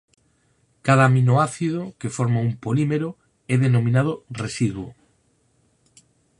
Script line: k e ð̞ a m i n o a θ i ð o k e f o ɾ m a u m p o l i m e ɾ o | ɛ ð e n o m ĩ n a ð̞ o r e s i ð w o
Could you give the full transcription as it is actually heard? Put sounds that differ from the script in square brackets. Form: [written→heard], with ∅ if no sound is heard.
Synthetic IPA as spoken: k [e→a] ð̞ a m i n o a θ i ð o k e f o ɾ m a u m p o l i m e ɾ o | ɛ ð e n o m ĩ n a ð̞ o r e s i ð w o

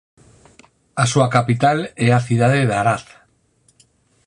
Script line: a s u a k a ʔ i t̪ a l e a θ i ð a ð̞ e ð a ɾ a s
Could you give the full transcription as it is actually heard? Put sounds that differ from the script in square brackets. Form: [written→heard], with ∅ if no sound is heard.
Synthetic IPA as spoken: a s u a k a [ʔ→p] i t̪ a l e a θ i ð a ð̞ e ð a ɾ a [s→θ]

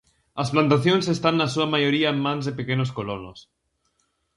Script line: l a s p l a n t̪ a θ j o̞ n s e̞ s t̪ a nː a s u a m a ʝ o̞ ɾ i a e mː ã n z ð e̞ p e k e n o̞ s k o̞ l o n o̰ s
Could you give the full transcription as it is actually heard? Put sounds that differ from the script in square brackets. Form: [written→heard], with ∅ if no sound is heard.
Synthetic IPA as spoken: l a s p l a n t̪ a θ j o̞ n s e̞ s t̪ a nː a s u a m a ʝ o̞ ɾ i a e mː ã n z ð e̞ p e k e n o̞ s k o̞ l o n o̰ s

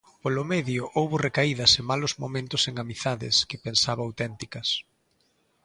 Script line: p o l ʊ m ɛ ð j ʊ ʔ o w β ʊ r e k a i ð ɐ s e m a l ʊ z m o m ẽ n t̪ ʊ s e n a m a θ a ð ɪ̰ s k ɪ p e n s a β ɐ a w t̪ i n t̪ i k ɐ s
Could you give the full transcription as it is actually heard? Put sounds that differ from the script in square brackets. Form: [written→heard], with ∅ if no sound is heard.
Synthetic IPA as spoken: p o l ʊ m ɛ ð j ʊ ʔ o w β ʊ r e k a i ð ɐ s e m a l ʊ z m o m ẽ n t̪ ʊ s e [n→ŋ] a m [a→i] θ a ð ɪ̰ s k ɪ p e n s a β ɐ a w t̪ [i→ɛ] n t̪ i k ɐ s

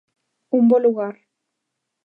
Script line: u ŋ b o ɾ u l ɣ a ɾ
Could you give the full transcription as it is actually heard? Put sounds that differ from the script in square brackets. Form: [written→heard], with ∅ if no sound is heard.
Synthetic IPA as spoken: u [ŋ→m] b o [ɾ→l] u [l→∅] ɣ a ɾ

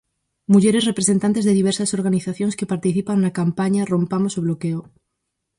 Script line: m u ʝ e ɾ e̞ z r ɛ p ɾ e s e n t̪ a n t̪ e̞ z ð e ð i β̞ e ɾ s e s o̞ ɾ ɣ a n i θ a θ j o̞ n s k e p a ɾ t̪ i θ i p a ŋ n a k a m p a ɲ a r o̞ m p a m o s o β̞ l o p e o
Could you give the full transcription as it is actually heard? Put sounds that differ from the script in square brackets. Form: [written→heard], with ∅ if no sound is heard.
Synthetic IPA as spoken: m u ʝ e ɾ e̞ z r [ɛ→e] p ɾ e s e n t̪ a n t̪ e̞ z ð e ð i β̞ e ɾ s [e→a] s o̞ ɾ ɣ a n i θ a θ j o̞ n s k e p a ɾ t̪ i θ i p a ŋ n a k a m p a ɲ a r o̞ m p a m o s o β̞ l o [p→k] e o

